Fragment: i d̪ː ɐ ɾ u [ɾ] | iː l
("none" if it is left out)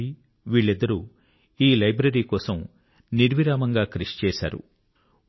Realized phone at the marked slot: none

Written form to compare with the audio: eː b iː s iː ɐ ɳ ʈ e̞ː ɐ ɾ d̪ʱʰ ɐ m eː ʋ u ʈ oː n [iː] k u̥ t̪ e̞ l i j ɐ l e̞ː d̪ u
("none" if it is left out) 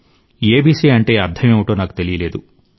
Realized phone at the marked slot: aː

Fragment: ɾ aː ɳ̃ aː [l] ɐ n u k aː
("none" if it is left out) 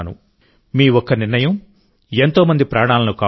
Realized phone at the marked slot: l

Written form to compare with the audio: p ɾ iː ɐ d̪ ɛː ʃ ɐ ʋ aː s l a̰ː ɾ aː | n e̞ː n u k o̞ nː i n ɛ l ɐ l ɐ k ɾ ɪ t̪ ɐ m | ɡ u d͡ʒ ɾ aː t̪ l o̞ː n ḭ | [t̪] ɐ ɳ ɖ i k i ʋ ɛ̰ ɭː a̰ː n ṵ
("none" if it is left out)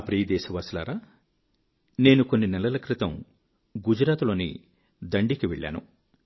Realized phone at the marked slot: d̪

